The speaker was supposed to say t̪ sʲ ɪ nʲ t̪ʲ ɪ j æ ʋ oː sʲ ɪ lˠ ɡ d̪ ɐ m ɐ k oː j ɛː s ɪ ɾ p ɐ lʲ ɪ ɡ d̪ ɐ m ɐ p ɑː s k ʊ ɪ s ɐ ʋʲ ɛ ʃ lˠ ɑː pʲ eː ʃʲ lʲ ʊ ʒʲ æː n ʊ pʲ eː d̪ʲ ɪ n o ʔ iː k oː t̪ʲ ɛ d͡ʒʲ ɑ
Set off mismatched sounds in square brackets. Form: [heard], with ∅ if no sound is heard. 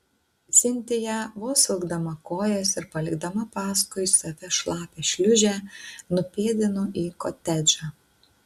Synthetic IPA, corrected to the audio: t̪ sʲ ɪ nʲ t̪ʲ ɪ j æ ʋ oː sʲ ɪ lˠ ɡ d̪ ɐ m ɐ k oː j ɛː s ɪ ɾ p ɐ lʲ ɪ ɡ d̪ ɐ m ɐ p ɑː s k ʊ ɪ s ɐ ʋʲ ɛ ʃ lˠ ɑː pʲ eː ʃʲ lʲ ʊ ʒʲ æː n ʊ pʲ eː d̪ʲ ɪ n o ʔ iː k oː t̪ʲ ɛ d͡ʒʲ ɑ